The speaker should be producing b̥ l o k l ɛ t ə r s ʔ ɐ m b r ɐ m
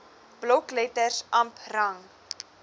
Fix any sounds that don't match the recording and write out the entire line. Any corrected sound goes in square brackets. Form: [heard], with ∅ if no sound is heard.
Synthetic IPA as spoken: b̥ l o k l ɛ t ə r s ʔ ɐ m [p] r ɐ [ŋ]